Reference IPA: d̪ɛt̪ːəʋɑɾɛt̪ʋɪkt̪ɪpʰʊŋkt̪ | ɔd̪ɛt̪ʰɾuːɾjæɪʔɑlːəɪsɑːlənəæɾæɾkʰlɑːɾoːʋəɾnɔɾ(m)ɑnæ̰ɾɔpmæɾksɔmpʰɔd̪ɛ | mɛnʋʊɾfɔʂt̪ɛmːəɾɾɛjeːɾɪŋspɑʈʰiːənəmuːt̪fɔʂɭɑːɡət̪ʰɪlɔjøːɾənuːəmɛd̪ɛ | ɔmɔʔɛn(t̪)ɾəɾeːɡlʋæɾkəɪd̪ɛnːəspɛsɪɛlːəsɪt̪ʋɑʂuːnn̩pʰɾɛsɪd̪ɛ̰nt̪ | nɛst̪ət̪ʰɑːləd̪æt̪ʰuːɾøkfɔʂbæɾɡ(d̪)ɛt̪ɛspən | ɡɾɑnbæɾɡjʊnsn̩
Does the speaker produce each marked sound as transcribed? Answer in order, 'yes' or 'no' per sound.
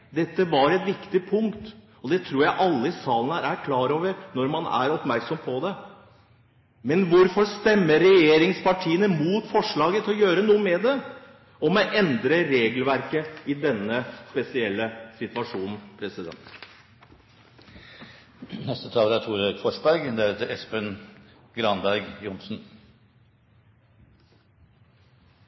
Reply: yes, no, yes

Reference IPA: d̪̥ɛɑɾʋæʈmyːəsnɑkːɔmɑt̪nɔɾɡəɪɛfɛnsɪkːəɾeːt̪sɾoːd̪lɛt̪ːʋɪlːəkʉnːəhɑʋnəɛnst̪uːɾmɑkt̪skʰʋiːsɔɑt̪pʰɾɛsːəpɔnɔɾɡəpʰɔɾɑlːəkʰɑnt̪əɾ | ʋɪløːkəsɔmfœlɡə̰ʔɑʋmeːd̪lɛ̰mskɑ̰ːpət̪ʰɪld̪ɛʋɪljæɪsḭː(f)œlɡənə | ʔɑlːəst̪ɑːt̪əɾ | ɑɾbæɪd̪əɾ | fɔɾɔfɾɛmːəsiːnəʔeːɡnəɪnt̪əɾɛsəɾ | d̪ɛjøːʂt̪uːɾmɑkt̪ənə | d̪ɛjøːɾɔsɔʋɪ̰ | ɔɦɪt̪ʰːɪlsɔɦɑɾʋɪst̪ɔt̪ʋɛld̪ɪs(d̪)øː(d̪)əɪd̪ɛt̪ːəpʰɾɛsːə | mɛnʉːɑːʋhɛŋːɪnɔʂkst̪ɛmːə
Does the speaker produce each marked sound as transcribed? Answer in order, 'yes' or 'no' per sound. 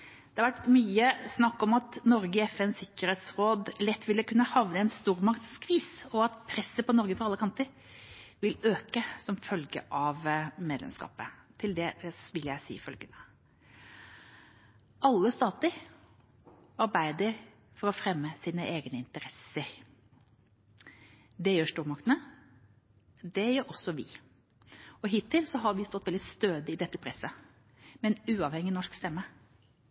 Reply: yes, no, yes

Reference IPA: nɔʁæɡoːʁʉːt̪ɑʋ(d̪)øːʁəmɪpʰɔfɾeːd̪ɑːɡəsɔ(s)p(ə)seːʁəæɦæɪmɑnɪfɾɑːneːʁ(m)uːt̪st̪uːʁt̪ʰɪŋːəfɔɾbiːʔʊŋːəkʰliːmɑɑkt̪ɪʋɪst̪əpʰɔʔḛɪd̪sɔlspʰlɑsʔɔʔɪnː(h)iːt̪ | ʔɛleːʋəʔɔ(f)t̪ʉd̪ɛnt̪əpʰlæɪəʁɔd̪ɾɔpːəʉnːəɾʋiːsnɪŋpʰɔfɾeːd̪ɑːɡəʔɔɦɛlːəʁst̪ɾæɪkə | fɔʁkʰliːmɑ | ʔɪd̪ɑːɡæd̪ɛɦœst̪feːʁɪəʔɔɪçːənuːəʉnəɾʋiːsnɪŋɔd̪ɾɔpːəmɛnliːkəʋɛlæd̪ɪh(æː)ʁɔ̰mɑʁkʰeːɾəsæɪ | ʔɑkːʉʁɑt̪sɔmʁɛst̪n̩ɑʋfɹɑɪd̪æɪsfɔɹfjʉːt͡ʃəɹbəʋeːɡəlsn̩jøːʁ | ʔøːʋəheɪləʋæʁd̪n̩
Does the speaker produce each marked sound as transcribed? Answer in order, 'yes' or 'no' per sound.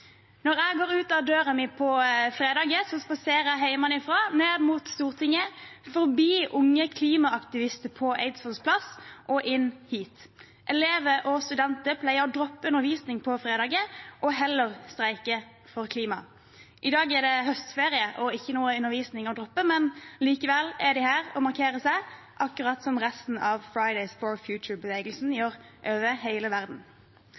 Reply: yes, yes, no, yes, yes, no, yes

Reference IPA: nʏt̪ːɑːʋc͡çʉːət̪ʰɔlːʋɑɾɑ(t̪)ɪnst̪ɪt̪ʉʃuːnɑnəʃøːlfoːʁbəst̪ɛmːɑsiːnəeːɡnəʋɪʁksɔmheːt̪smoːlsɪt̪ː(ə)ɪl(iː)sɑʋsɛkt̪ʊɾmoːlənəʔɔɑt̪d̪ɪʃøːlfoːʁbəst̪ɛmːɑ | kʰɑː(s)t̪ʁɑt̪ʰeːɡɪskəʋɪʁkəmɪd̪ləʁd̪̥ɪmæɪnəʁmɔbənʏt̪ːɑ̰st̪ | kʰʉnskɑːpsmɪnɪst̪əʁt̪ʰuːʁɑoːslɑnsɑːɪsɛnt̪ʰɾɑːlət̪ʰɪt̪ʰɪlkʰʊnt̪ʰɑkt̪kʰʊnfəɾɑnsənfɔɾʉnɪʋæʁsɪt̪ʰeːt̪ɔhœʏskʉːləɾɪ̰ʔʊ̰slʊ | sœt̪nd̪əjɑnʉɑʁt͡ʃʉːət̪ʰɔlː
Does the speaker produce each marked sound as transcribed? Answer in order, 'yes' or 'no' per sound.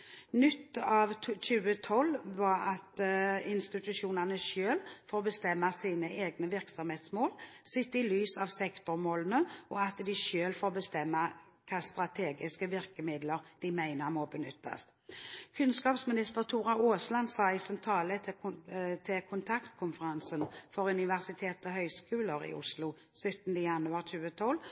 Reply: yes, yes, no, yes

